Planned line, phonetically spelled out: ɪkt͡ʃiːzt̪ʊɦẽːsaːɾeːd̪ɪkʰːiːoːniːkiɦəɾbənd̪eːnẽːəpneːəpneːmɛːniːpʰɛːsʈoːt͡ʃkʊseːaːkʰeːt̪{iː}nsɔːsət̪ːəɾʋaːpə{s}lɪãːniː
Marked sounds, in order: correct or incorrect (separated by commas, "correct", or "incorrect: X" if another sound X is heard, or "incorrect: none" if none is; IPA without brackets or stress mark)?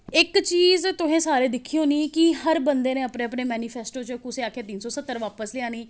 correct, correct